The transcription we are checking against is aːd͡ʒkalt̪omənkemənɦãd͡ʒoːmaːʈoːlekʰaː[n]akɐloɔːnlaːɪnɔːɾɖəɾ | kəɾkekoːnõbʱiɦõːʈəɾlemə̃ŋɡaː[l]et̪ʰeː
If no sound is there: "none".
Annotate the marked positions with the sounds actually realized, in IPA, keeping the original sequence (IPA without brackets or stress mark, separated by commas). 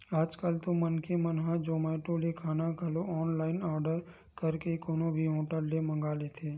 n, l